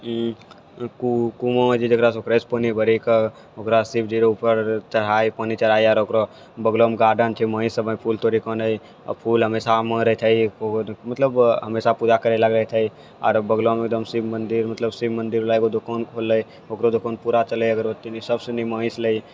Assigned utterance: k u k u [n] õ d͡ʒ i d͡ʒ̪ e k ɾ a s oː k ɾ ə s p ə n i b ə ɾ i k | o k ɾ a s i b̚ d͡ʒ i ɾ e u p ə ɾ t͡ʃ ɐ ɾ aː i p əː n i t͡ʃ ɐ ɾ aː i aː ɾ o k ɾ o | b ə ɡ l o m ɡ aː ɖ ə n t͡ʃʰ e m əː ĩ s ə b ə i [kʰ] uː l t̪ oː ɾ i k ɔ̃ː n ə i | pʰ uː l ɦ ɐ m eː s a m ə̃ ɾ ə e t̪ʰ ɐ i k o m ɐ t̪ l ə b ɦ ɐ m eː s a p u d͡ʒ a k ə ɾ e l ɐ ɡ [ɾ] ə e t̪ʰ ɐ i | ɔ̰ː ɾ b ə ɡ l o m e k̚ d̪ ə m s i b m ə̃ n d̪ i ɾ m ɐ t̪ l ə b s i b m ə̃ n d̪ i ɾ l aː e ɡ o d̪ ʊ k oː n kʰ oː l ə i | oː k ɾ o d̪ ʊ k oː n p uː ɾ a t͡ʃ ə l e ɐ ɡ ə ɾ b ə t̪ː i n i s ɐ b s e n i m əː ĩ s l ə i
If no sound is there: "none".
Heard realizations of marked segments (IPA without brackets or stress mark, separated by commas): m, pʰ, ɾ